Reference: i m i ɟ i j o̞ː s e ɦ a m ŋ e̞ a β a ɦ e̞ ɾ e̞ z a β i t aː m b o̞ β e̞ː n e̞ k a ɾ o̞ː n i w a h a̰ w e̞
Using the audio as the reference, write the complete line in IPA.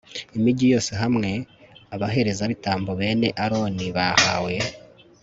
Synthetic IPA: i m i ɟ i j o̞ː s e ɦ a m ŋ e̞ a β a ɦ e̞ ɾ e̞ z a β i t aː m b o̞ β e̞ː n e̞ ʔ a ɾ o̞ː n i β a h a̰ w e̞